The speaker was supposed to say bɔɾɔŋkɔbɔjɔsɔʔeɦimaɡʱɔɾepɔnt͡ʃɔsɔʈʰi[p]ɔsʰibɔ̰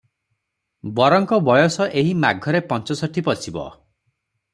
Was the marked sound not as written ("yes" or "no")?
no